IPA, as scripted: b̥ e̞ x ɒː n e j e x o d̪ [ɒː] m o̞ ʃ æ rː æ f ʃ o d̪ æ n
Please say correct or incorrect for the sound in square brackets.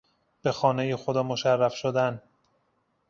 correct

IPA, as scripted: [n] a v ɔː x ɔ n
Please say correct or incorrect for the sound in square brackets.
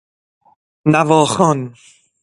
correct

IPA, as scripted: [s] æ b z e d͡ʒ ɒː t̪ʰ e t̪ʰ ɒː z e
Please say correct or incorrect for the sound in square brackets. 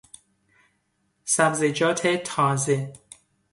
correct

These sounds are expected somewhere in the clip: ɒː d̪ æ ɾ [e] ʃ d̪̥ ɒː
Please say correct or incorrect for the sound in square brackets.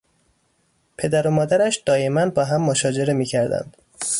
incorrect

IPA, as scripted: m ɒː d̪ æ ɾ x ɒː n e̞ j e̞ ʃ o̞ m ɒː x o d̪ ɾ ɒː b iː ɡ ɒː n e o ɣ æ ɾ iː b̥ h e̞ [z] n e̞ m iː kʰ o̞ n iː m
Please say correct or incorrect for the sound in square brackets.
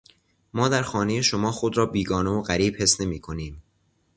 incorrect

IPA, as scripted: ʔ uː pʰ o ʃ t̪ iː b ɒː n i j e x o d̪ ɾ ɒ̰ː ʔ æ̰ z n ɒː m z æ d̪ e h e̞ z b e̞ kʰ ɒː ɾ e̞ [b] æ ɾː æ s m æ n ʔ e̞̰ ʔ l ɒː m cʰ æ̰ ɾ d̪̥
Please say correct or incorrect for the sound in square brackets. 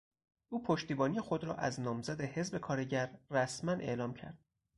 incorrect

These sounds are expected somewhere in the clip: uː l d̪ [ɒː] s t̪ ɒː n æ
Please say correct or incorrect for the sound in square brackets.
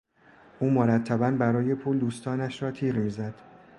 incorrect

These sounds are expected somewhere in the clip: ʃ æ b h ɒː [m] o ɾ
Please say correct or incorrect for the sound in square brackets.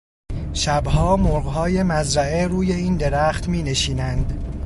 correct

